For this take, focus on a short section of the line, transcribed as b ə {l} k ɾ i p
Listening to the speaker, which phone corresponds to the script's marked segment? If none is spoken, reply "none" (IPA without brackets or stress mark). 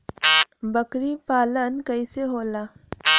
none